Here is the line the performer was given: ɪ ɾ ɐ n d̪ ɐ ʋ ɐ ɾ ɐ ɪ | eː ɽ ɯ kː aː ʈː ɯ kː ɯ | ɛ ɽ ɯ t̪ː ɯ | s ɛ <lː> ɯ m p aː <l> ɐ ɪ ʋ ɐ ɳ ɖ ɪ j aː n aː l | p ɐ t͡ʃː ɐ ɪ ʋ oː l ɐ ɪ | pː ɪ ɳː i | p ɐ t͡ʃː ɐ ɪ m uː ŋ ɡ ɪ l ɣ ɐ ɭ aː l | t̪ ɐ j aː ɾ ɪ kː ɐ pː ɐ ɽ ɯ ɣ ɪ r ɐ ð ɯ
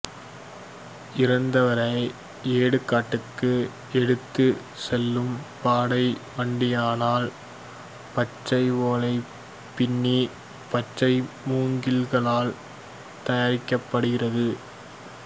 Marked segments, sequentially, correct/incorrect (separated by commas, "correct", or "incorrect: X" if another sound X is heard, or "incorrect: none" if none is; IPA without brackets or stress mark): correct, incorrect: ɽ